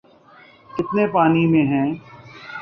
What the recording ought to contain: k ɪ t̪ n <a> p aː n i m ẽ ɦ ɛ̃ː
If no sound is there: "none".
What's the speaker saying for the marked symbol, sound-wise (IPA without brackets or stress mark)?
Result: e